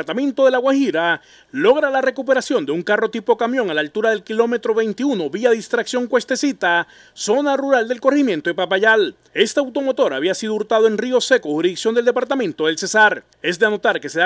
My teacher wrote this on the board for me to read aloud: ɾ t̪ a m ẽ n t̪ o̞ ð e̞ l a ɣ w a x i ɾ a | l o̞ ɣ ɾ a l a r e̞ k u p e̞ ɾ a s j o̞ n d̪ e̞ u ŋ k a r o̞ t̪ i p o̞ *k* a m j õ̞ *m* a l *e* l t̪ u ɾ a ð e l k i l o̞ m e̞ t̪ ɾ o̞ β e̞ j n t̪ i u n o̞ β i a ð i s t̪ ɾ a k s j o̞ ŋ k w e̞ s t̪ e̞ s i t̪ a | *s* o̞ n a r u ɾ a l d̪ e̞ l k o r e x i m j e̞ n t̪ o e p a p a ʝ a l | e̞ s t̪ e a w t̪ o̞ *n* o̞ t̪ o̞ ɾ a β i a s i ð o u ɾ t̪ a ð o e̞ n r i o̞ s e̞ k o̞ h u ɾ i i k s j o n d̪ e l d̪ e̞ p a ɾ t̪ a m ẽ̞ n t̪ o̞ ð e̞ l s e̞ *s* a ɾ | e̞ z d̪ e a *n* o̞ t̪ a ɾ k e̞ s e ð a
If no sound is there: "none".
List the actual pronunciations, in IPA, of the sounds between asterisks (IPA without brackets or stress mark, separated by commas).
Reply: k, ŋ, a, s, m, s, n